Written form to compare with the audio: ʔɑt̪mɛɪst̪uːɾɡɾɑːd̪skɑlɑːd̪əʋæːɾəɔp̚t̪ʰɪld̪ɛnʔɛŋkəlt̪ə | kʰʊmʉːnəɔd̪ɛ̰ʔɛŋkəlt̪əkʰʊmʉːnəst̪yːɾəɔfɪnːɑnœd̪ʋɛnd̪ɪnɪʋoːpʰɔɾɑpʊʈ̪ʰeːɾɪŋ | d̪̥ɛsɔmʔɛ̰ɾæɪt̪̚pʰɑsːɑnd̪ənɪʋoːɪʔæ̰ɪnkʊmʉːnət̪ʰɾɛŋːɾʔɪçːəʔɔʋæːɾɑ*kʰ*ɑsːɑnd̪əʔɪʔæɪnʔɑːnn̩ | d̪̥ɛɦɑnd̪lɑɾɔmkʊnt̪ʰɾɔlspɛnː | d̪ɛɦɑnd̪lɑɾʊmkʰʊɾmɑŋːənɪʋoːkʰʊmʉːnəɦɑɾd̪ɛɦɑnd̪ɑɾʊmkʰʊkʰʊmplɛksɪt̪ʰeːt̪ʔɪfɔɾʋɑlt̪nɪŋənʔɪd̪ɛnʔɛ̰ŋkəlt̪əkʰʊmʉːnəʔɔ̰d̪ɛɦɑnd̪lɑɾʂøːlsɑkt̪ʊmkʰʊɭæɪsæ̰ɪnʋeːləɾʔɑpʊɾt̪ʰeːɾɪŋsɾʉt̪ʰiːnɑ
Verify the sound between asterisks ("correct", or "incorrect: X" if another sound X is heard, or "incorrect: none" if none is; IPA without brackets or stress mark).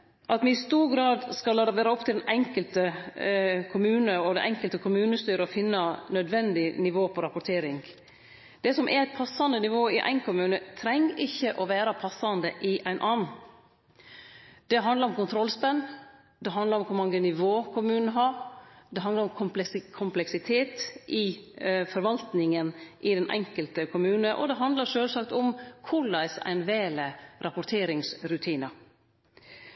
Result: incorrect: pʰ